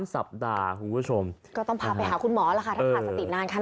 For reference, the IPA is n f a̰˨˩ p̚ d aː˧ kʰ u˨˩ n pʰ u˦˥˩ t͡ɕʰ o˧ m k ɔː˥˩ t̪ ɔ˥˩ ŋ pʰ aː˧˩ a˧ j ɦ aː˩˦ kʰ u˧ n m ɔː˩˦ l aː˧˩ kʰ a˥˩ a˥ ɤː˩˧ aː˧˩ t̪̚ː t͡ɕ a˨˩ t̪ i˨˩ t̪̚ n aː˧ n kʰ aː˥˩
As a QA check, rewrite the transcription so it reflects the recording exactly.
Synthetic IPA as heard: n s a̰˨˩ p̚ d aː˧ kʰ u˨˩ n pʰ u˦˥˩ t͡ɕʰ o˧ m k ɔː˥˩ t̪ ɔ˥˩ ŋ pʰ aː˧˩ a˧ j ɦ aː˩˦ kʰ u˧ n m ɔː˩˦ l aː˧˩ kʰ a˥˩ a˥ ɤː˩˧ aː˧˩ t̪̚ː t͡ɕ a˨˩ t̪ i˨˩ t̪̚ n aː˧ n kʰ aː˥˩

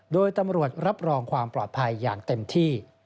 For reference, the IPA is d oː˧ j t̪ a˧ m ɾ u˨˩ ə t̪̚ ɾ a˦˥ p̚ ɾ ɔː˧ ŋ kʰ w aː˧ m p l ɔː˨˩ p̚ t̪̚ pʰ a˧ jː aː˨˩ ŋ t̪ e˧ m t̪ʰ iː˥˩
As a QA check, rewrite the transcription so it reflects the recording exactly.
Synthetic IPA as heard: d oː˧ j t̪ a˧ m ɾ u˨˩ ə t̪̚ ɾ a˦˥ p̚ ɾ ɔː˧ ŋ kʰ w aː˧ m p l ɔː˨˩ t̪̚ pʰ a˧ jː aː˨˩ ŋ t̪ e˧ m t̪ʰ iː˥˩

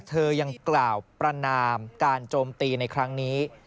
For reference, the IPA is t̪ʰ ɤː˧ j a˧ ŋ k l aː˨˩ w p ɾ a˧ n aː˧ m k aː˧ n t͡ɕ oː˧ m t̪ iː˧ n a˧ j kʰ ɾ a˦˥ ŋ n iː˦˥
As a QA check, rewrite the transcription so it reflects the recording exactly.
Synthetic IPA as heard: t̪ʰ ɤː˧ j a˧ ŋ k l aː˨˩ w p ɾ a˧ n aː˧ m k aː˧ n t͡ɕ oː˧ m t̪ iː˧ n a˧ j kʰ ɾ a˦˥ ŋ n iː˦˥

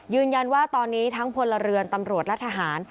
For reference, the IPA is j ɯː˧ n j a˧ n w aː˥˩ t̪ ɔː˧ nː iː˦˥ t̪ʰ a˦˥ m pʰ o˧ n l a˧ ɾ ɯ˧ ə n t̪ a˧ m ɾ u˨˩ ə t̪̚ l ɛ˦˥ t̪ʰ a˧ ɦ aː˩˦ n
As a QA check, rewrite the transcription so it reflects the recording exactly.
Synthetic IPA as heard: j ɯː˧ n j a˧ n w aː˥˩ t̪ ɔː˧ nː iː˦˥ t̪ʰ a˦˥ ŋ pʰ o˧ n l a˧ ɾ ɯ˧ ə n t̪ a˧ m ɾ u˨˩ ə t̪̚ l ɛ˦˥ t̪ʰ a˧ ɦ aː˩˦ n

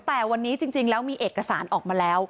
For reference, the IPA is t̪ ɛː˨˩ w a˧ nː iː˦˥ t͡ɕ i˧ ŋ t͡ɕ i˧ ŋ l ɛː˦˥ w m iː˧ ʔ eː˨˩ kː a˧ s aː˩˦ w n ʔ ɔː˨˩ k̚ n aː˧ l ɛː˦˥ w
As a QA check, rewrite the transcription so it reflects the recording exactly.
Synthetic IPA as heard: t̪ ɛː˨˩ w a˧ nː iː˦˥ t͡ɕ i˧ ŋ t͡ɕ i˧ ŋ l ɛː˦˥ w m iː˧ ʔ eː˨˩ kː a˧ s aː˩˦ n ʔ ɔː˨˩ k̚ m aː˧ l ɛː˦˥ w

